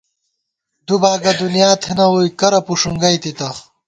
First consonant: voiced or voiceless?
voiced